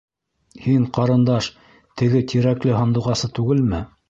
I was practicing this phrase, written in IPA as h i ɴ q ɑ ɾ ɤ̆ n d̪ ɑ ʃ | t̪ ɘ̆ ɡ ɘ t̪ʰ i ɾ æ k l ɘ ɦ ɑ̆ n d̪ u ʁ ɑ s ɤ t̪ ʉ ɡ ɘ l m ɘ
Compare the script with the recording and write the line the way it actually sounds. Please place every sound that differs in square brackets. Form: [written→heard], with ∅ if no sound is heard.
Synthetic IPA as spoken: h i ɴ q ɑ ɾ ɤ̆ n d̪ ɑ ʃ | t̪ ɘ̆ ɡ ɘ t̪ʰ i ɾ æ k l ɘ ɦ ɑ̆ n d̪ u ʁ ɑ s ɤ t̪ ʉ ɡ ɘ l m ɘ